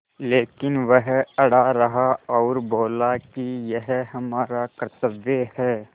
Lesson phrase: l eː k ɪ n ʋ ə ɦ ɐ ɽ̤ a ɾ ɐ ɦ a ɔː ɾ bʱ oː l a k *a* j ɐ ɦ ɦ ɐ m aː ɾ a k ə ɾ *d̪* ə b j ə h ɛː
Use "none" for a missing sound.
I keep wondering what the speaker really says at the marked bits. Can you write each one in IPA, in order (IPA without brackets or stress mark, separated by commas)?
i, t̪